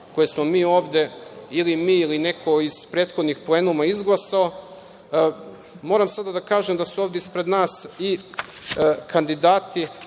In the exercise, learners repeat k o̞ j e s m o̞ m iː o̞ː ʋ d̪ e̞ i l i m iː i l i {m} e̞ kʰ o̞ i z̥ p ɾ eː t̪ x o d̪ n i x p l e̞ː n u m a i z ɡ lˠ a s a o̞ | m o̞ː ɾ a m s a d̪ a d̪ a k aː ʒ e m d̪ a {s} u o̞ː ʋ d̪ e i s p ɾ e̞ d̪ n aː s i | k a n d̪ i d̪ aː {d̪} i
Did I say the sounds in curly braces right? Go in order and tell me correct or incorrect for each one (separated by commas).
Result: incorrect, correct, incorrect